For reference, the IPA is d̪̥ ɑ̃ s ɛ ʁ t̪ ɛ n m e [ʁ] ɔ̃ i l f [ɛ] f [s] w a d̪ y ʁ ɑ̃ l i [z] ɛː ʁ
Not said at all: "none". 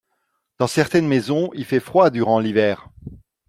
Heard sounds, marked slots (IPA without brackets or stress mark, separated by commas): z, ɛ, χ, v